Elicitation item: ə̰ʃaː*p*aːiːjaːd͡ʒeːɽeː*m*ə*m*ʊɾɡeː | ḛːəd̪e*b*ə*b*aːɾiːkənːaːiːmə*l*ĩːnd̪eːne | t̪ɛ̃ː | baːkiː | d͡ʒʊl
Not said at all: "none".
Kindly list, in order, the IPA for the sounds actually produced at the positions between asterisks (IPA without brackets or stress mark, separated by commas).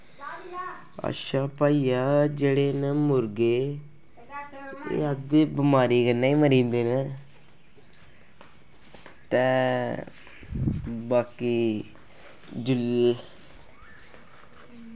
p, n, m, b, m, ɾ